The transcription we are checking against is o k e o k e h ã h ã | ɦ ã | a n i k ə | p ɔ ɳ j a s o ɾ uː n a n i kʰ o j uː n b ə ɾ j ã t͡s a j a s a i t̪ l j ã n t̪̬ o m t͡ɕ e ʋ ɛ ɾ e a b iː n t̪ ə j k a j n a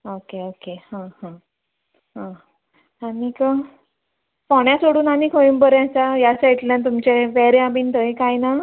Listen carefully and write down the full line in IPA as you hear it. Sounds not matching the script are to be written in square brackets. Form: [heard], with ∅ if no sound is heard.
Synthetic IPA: o k e o k e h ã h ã | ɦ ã | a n i k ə | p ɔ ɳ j a s o [ɽ] uː n a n i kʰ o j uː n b ə ɾ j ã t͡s a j a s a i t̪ l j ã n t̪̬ [u] m t͡ɕ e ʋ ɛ ɾ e a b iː n t̪ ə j k a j n a

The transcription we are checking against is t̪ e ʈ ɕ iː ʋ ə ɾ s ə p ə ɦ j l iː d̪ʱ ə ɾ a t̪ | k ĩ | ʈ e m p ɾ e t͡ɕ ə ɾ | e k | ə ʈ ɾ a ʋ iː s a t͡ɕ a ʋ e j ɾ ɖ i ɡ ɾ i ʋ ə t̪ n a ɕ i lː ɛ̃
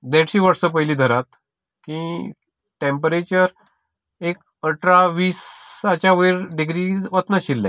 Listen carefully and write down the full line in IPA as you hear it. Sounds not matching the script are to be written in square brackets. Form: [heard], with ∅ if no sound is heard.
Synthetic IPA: [d̪] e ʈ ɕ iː ʋ ə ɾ s ə p ə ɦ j l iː d̪ʱ ə ɾ a t̪ | k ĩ | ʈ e m p ɾ e t͡ɕ ə ɾ | e k | ə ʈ ɾ a ʋ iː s a t͡ɕ a ʋ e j ɾ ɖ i ɡ ɾ i ʋ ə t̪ n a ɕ i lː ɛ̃

